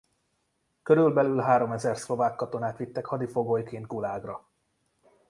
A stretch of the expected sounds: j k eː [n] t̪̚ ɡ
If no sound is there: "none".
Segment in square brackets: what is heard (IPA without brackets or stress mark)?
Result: n